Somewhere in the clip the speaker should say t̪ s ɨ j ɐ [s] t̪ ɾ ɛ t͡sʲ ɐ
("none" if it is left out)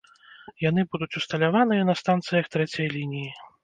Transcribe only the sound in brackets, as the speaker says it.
x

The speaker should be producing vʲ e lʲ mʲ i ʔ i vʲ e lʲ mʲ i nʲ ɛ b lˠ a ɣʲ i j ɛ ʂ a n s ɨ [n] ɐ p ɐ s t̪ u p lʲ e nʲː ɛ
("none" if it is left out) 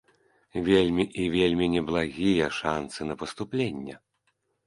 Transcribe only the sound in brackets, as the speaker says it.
n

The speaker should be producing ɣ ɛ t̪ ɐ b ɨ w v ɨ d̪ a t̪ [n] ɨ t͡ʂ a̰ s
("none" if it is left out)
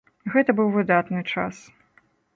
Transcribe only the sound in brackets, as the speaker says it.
n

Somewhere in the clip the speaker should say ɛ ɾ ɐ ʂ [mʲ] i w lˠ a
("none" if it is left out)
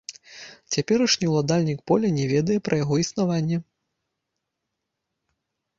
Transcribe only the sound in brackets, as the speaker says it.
nʲ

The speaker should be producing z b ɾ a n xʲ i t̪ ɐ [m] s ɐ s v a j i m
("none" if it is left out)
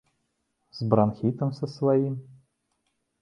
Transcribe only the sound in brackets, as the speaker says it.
m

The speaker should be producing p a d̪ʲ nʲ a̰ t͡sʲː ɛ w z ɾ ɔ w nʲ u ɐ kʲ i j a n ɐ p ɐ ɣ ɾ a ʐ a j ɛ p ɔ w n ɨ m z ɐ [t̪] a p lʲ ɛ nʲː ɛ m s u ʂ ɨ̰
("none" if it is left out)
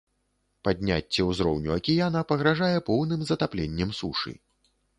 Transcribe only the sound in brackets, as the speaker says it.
t̪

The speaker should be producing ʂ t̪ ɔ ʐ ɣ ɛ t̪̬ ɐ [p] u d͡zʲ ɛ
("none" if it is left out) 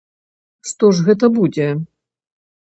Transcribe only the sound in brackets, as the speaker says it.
b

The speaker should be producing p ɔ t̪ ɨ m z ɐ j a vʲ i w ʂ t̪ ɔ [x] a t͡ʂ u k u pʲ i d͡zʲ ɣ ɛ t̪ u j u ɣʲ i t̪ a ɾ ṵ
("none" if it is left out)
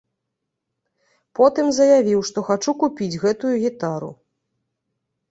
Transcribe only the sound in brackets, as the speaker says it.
x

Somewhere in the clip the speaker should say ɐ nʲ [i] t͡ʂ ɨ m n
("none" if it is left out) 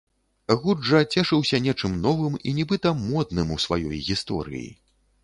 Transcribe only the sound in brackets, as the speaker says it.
ɛ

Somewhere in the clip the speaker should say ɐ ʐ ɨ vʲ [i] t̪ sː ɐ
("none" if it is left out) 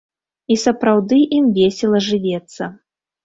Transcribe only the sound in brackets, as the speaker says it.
ɛ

